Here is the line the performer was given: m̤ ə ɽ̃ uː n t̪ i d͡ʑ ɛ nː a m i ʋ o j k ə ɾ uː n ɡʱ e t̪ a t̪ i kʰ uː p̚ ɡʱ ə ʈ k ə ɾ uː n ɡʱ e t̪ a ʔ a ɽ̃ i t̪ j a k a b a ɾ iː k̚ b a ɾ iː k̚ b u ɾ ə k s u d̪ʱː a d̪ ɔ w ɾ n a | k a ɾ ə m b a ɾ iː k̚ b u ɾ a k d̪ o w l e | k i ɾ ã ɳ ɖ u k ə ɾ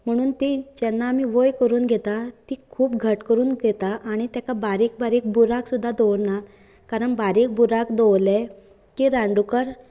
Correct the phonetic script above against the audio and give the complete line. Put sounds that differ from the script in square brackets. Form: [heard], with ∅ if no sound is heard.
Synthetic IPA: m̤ ə ɽ̃ uː n t̪ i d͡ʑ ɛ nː a m i ʋ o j k ə ɾ uː n ɡʱ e t̪ a t̪ i kʰ uː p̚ ɡʱ ə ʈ k ə ɾ uː n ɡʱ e t̪ a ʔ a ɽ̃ i t̪ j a k a b a ɾ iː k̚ b a ɾ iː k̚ b u ɾ [a] k s u d̪ʱː a d̪ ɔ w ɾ n a | k a ɾ ə [ɳ] b a ɾ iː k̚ b u ɾ a k d̪ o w l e | k i ɾ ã ɳ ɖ u k ə ɾ

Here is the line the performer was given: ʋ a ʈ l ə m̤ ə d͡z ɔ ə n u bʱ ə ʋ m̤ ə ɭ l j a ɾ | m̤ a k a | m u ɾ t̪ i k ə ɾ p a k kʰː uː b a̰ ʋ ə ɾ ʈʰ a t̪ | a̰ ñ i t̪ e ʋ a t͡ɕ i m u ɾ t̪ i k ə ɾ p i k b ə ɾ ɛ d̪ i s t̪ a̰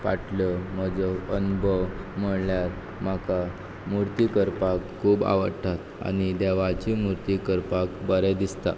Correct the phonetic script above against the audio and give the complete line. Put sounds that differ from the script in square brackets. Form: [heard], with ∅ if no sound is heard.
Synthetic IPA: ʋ a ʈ l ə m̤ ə d͡z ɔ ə n u bʱ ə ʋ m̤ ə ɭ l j a ɾ | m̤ a k a | m u ɾ t̪ i k ə ɾ p a k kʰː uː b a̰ ʋ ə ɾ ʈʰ a t̪ | a̰ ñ i [d̪] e ʋ a t͡ɕ i m u ɾ t̪ i k ə ɾ p [a] k b ə ɾ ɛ d̪ i s t̪ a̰

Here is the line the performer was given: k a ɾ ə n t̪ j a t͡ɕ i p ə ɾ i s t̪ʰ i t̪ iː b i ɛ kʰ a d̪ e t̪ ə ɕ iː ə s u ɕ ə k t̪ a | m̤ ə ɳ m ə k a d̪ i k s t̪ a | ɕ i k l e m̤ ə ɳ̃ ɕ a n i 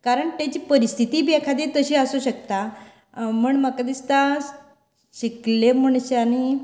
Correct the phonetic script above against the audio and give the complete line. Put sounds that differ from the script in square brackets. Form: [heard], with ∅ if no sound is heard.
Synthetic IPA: k a ɾ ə [ɳ] t̪ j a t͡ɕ [iː] p ə ɾ i s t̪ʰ i t̪ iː b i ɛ kʰ a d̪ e t̪ ə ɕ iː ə s u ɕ ə k t̪ a | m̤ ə ɳ m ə k a d̪ i [∅] s t̪ a | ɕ i k l e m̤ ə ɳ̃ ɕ a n i

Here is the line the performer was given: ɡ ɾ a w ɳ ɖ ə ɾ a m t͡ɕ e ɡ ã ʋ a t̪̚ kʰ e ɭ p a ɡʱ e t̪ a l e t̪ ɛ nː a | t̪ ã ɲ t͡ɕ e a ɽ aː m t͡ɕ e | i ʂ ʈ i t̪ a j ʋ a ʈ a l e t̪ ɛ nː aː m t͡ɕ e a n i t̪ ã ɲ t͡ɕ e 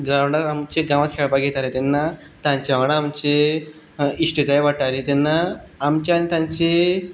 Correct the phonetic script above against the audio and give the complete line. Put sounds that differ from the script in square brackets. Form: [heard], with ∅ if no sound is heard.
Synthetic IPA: ɡ ɾ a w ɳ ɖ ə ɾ a m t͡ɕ e ɡ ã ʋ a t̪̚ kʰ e ɭ p a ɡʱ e t̪ a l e t̪ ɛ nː a | t̪ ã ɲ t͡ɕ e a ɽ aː m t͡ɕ e | i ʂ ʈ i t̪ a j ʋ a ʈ a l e t̪ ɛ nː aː m t͡ɕ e a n i t̪ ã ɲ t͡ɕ e

